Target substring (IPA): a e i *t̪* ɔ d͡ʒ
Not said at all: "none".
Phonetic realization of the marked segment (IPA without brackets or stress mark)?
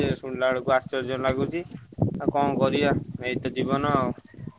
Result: t̪